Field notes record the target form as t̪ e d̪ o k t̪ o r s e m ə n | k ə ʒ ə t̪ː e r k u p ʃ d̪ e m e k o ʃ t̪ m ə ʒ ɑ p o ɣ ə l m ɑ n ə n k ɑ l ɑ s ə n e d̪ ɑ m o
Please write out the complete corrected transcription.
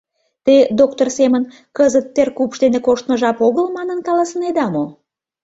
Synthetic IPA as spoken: t̪ e d̪ o k t̪ o r s e m ə n | k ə z ə t̪ː e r k u p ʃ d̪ e n e k o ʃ t̪ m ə ʒ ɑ p o ɣ ə l m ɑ n ə n k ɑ l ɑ s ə n e d̪ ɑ m o